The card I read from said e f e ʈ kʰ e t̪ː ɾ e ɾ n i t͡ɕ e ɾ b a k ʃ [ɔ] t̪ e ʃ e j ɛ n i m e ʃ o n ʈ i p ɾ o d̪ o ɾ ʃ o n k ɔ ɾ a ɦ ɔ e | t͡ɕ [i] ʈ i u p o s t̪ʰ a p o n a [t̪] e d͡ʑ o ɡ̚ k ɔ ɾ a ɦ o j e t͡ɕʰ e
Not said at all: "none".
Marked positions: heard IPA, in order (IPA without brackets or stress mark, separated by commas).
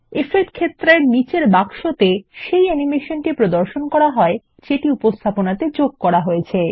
o, e, t̪